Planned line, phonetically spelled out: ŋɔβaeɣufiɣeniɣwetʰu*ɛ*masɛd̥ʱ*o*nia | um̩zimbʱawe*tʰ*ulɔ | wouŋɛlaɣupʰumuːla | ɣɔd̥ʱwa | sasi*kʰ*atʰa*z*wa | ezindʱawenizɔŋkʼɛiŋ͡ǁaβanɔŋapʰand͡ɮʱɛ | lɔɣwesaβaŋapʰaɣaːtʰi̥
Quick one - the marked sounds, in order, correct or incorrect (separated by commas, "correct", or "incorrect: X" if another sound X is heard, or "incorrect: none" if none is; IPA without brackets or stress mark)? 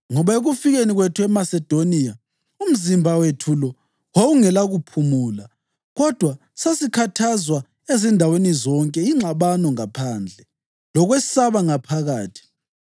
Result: correct, correct, correct, correct, correct